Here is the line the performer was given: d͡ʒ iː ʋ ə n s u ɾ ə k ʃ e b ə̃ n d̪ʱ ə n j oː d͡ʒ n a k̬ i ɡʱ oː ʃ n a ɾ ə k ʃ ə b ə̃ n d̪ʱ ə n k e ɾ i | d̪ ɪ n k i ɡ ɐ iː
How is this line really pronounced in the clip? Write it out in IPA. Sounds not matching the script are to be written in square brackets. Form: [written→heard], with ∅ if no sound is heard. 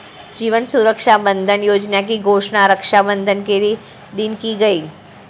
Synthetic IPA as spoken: d͡ʒ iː ʋ ə n s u ɾ ə k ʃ [e→a] b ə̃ n d̪ʱ ə n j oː d͡ʒ n a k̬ i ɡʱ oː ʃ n a ɾ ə k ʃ [ə→a] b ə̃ n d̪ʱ ə n k e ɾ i | d̪ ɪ n k i ɡ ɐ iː

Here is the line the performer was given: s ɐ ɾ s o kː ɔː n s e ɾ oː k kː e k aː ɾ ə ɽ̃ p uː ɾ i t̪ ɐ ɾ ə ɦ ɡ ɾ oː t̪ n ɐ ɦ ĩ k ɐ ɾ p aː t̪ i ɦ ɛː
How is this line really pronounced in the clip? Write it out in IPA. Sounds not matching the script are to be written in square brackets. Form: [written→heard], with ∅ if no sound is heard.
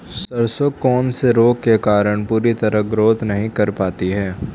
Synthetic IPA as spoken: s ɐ ɾ s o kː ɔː n s e ɾ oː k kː e k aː ɾ ə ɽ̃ p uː ɾ i t̪ ɐ ɾ ə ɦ ɡ ɾ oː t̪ n ɐ ɦ ĩ k ɐ ɾ p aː t̪ i ɦ ɛː

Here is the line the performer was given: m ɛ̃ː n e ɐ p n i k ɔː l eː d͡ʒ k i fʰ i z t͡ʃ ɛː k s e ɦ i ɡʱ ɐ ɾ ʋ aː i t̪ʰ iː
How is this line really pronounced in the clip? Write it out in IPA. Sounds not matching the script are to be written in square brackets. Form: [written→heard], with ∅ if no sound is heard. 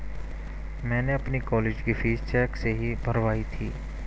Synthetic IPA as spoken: m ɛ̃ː n e ɐ p n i k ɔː l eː d͡ʒ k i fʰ [i→iː] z t͡ʃ ɛː k s e ɦ i [ɡʱ→bʱ] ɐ ɾ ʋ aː i t̪ʰ iː

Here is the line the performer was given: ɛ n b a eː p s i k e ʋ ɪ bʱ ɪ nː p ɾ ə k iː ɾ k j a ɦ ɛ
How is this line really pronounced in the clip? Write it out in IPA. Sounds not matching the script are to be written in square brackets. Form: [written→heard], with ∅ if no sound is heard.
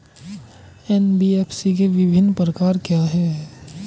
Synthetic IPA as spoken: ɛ n b [a→i] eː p s i k e ʋ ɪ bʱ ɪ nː p ɾ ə k [iː→aː] ɾ k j a ɦ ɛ

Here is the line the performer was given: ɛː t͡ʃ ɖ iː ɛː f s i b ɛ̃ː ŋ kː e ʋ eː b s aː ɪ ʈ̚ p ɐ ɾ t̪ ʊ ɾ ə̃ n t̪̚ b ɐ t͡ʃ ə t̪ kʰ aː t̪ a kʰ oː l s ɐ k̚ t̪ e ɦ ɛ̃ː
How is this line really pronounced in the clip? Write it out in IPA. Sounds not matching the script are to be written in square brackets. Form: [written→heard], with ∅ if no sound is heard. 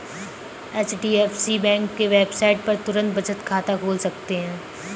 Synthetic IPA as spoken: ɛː t͡ʃ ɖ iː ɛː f s i b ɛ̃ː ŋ kː e ʋ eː b s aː ɪ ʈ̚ p ɐ ɾ t̪ ʊ ɾ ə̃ n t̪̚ b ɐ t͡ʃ ə t̪ kʰ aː t̪ a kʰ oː l s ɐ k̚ t̪ e ɦ ɛ̃ː

